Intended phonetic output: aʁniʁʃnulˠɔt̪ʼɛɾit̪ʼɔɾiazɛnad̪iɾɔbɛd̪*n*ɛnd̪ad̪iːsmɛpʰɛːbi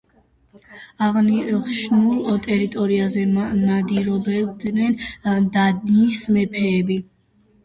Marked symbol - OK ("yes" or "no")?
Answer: yes